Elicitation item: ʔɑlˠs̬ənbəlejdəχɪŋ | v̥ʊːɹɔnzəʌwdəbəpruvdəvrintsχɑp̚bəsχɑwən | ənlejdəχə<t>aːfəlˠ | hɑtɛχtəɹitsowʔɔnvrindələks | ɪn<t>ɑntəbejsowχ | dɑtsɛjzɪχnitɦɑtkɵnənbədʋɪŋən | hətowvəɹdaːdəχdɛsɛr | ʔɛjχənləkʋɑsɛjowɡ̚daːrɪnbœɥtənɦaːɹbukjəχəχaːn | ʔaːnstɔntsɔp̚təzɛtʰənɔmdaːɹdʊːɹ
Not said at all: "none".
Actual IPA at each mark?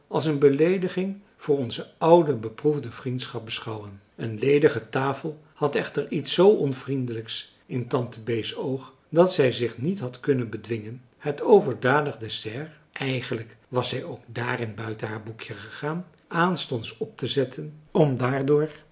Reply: t, t

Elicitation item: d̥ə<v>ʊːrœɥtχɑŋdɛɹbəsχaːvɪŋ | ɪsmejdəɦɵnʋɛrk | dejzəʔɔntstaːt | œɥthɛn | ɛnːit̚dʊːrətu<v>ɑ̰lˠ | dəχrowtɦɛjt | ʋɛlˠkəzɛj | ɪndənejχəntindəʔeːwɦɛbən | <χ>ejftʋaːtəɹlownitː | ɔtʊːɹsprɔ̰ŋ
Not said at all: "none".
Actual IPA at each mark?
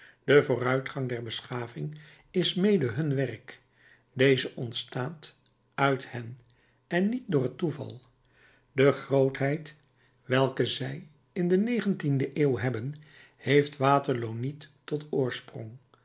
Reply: v, v, h

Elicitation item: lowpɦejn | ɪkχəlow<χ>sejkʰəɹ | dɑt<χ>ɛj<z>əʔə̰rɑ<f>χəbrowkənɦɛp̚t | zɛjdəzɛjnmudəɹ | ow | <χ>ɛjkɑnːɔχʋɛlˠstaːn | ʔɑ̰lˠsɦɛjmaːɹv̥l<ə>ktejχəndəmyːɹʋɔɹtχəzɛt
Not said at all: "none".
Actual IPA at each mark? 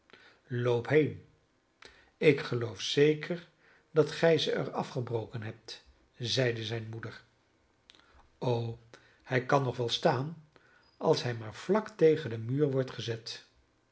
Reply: f, χ, z, f, h, ɑ

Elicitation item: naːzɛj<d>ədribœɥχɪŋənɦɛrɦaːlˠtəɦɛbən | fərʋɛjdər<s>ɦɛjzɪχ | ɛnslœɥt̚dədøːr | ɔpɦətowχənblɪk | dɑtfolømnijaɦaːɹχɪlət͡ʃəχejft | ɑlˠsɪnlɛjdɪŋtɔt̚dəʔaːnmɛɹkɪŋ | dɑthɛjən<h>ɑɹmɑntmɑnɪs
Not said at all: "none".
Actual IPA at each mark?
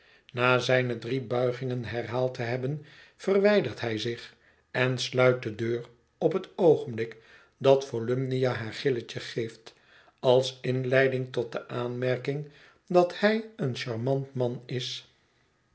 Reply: n, t, ʃ

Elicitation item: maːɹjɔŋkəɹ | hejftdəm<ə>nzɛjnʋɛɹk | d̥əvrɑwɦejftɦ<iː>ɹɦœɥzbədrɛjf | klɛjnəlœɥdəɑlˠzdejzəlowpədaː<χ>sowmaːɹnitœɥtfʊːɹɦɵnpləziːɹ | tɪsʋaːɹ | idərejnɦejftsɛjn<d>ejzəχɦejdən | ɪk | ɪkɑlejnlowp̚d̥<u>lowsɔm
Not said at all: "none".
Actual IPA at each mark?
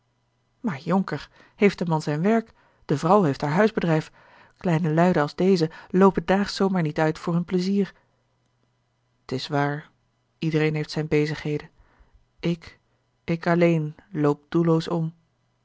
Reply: ɑ, aː, χ, b, u

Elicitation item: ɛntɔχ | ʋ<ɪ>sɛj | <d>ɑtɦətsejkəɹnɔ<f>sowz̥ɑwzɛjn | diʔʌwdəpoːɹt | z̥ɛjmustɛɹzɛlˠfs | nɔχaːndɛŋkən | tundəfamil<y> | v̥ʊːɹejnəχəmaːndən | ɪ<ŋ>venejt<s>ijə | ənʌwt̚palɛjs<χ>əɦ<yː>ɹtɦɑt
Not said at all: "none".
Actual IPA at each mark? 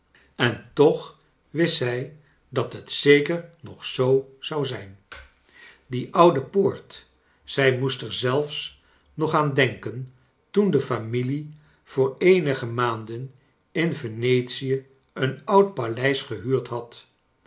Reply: ɪ, d, χ, i, n, s, χ, yː

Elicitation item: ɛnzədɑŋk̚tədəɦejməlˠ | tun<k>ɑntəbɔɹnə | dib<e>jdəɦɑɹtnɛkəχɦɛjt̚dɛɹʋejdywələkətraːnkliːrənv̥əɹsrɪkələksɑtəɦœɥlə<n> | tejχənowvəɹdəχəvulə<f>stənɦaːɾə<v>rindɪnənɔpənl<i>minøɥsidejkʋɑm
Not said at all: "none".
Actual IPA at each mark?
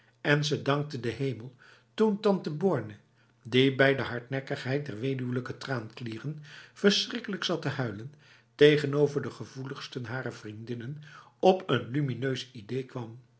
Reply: t, ɛ, n, χ, v, y

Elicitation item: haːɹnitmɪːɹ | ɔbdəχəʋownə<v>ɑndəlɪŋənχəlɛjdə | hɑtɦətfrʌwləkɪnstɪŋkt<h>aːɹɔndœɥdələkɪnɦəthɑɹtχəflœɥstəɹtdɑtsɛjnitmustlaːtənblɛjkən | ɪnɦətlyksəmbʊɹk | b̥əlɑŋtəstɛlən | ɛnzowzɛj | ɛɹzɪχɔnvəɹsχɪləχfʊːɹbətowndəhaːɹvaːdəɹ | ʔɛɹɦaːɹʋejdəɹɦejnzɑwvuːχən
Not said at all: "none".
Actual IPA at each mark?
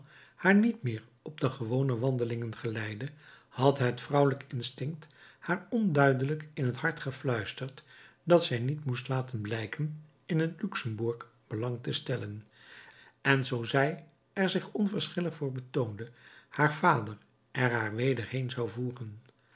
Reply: ʋ, h

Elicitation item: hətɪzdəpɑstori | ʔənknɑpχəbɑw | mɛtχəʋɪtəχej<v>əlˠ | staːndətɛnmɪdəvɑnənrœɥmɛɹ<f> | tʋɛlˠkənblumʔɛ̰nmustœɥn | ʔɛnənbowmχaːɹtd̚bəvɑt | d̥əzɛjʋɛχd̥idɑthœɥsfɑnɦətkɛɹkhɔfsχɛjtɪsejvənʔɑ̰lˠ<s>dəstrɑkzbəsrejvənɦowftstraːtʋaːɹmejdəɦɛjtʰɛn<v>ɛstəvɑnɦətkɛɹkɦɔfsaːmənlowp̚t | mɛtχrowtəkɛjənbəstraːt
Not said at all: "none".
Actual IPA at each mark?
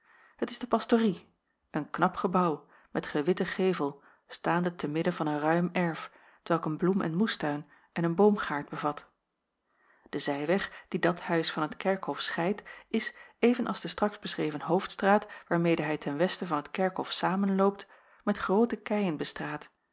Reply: v, f, z, ʋ

